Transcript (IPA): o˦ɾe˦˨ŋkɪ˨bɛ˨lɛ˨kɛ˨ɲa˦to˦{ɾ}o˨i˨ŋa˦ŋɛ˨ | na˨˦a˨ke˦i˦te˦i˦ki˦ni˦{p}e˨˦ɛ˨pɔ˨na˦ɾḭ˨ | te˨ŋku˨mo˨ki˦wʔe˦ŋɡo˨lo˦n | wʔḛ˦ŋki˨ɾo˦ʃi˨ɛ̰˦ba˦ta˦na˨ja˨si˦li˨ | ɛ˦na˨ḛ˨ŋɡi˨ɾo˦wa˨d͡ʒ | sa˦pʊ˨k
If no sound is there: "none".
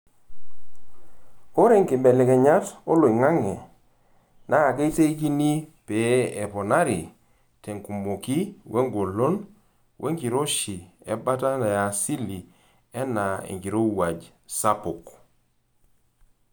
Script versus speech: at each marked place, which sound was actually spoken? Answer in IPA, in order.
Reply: l, p

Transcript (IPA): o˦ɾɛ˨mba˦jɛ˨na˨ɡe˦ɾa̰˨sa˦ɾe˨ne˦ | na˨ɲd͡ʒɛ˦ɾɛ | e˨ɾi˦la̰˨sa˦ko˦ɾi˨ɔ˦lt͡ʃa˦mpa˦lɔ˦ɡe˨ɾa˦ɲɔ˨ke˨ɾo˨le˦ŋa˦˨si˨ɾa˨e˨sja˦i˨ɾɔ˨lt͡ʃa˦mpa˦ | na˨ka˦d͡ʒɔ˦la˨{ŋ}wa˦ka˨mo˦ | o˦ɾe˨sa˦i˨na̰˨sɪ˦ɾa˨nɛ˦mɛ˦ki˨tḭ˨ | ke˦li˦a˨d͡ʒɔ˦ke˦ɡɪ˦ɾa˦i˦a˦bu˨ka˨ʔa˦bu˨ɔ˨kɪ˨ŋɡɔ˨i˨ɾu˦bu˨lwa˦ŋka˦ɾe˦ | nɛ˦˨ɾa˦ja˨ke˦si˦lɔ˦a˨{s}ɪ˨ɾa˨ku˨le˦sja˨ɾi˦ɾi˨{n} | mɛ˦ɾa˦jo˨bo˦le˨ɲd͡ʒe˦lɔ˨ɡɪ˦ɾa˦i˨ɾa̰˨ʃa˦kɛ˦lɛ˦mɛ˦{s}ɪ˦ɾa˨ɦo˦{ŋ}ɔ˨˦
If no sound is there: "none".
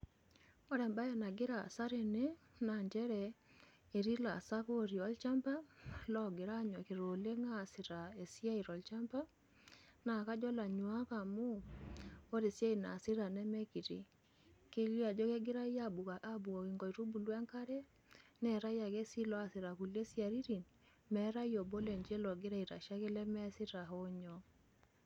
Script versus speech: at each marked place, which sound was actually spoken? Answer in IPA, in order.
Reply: ɲ, s, n, s, ɲ

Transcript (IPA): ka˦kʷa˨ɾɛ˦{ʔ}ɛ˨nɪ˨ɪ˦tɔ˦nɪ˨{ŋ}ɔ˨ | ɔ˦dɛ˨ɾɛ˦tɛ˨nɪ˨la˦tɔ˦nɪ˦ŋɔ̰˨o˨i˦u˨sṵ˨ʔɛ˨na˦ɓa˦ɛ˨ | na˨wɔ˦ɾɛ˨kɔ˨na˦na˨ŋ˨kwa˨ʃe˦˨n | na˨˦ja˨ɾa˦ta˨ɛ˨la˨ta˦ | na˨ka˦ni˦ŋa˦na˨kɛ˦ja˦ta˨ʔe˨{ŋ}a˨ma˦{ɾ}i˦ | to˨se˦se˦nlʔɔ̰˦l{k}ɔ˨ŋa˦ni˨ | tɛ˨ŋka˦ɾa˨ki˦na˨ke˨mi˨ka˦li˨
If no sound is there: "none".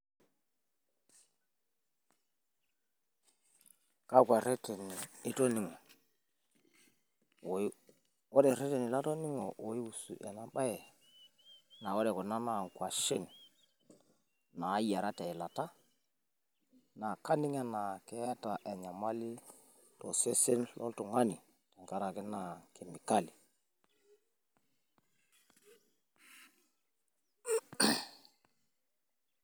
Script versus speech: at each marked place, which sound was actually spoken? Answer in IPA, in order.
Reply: t, ŋ, ɲ, l, t

